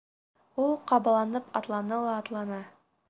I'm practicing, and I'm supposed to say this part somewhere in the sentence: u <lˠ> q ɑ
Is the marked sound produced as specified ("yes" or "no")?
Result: yes